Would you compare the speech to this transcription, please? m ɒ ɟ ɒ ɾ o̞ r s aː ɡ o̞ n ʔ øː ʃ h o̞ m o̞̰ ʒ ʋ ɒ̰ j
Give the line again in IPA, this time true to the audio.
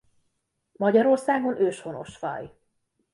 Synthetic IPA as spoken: m ɒ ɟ ɒ ɾ o̞ r s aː ɡ o̞ n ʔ øː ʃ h o̞ n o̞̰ ʃ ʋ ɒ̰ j